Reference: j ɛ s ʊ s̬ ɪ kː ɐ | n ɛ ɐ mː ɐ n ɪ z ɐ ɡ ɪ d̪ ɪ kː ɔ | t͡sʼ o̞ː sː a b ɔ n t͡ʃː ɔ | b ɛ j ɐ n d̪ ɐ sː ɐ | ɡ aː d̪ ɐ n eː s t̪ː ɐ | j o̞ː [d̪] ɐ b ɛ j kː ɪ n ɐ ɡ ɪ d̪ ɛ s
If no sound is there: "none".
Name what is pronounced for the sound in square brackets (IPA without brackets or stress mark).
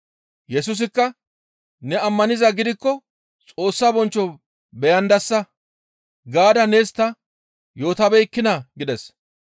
t̪